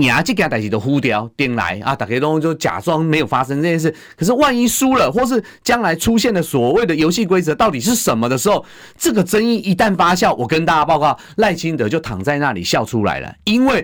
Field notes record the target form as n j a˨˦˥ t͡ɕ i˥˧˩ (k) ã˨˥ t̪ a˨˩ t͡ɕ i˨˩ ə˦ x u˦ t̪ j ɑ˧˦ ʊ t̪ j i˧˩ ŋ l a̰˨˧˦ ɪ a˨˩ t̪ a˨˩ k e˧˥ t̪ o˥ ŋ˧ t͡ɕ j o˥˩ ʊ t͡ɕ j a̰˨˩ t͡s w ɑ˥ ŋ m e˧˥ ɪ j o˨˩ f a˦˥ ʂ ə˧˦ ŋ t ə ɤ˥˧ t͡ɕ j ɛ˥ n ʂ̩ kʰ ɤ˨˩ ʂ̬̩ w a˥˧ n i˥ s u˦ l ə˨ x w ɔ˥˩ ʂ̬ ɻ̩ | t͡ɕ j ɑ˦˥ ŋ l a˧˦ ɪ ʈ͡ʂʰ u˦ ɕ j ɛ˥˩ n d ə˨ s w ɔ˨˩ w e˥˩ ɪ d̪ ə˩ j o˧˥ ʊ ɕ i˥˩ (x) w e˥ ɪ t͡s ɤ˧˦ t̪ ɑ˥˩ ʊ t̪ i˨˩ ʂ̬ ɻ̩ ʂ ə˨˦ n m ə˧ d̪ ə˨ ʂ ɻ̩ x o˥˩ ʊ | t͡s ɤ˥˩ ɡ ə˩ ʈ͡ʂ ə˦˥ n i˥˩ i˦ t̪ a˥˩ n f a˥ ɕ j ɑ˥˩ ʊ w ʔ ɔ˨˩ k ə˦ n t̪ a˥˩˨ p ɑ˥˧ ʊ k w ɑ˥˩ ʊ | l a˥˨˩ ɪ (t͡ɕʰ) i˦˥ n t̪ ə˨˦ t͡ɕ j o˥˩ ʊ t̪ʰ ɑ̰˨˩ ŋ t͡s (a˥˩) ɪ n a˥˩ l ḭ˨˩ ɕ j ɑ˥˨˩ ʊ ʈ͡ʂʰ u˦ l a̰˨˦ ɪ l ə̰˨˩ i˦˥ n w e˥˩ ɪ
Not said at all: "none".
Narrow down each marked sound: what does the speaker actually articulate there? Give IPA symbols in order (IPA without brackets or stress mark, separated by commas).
k, k, t͡ɕʰ, a˥˧